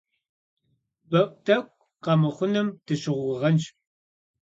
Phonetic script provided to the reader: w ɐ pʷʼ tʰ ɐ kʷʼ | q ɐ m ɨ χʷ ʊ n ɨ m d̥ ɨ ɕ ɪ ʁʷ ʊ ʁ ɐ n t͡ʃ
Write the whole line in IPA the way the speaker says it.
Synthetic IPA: b ɐ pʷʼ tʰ ɐ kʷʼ | q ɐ m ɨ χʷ ʊ n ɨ m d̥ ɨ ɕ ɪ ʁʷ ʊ ʁ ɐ n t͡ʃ